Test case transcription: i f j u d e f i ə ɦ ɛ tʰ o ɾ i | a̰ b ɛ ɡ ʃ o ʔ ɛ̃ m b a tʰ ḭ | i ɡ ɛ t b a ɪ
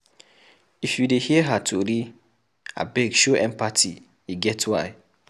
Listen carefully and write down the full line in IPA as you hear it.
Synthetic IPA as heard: i f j u d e h i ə ɦ a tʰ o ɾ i | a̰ b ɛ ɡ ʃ o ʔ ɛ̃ m p a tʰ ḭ | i ɡ ɛ t w a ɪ